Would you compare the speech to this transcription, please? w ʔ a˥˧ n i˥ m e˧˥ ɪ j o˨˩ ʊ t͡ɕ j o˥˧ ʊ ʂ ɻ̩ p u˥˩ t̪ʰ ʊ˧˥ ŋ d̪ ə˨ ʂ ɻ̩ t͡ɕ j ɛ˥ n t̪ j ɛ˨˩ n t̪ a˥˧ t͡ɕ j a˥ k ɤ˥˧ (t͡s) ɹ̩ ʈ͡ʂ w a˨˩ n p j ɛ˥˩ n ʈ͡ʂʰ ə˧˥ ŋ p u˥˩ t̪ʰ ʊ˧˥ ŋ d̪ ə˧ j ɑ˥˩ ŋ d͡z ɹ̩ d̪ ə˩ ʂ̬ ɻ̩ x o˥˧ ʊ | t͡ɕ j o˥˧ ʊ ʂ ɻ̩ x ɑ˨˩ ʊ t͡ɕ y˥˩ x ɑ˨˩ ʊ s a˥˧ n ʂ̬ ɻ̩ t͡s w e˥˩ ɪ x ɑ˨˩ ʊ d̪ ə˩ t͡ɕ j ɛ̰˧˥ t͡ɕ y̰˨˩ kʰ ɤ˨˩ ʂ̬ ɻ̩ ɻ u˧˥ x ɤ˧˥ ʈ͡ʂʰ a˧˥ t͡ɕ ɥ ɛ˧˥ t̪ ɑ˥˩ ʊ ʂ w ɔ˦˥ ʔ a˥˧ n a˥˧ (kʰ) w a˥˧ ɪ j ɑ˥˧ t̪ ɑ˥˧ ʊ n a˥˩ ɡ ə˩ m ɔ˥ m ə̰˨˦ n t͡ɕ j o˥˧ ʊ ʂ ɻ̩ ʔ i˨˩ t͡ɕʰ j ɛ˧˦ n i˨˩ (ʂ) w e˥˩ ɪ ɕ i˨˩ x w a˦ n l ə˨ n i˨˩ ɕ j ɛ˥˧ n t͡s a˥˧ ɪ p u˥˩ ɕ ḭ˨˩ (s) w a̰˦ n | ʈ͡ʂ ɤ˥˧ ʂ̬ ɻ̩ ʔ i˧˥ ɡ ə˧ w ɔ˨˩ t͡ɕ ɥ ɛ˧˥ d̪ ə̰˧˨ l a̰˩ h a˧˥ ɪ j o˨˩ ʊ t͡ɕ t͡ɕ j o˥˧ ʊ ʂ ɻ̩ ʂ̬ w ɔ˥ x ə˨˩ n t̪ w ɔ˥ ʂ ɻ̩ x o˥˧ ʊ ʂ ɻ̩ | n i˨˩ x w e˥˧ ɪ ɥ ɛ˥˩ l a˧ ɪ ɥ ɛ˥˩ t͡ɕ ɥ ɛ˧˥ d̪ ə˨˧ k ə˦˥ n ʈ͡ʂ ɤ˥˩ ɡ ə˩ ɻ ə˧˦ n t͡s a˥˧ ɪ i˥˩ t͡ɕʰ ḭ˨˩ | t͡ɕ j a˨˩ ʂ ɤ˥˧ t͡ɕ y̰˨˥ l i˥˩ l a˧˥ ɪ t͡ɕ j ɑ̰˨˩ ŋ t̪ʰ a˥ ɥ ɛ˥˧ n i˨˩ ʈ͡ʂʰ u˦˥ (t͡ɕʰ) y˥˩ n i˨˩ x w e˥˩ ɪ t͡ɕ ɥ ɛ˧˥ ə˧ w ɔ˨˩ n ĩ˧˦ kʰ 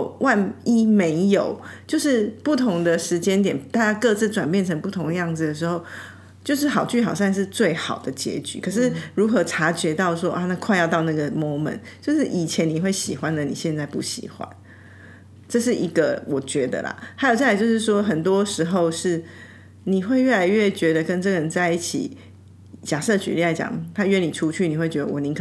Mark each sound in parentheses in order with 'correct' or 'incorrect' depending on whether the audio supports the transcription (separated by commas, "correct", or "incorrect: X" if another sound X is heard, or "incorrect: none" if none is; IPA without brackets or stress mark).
correct, correct, incorrect: x, incorrect: x, correct